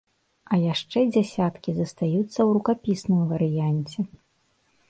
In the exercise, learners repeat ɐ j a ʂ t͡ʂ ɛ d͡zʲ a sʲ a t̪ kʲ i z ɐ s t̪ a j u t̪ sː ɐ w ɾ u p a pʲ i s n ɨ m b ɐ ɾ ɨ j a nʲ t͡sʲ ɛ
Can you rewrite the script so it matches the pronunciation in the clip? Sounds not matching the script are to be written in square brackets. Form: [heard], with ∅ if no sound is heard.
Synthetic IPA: ɐ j a ʂ t͡ʂ ɛ d͡zʲ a sʲ a t̪ kʲ i z ɐ s t̪ a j u t̪ sː ɐ w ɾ u [k] a pʲ i s n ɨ m [v] ɐ ɾ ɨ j a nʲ t͡sʲ ɛ

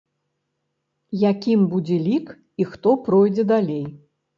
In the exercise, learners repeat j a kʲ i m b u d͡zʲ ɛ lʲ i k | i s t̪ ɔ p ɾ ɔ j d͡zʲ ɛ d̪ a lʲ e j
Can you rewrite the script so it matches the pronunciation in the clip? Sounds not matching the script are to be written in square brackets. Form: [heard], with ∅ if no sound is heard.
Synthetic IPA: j a kʲ i m b u d͡zʲ ɛ lʲ i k | i [x] t̪ ɔ p ɾ ɔ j d͡zʲ ɛ d̪ a lʲ e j

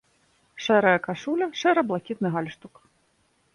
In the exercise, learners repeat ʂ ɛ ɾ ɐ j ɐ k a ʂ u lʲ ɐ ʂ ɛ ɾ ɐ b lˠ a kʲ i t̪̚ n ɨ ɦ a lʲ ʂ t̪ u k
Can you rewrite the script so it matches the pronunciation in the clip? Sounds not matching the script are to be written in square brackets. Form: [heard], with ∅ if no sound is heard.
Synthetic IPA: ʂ ɛ ɾ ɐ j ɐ k a ʂ u lʲ ɐ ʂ ɛ ɾ ɐ b lˠ a kʲ i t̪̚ n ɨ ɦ a lʲ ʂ t̪ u k

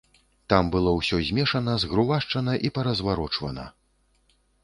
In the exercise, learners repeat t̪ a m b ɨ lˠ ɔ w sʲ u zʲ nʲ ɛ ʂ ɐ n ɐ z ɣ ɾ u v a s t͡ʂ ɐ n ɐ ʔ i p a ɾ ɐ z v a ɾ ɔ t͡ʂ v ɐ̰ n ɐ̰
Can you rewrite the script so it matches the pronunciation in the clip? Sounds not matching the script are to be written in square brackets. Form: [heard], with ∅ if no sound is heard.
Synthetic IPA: t̪ a m b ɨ lˠ ɔ w sʲ [ɔ] zʲ [mʲ] ɛ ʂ ɐ n ɐ z ɣ ɾ u v a [ʂ] t͡ʂ ɐ n ɐ ʔ i p [ɐ] ɾ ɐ z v a ɾ ɔ t͡ʂ v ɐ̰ n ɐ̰

